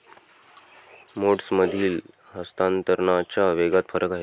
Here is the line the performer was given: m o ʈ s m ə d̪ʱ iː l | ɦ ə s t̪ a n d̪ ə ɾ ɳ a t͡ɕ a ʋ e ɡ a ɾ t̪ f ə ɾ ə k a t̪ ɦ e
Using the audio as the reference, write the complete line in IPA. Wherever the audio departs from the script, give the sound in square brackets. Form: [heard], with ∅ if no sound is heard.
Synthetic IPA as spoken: m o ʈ s m ə d̪ʱ iː l | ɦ ə s t̪ a n [t̪] ə ɾ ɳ a t͡ɕ a ʋ e ɡ a [∅] t̪ f ə ɾ ə k a [∅] ɦ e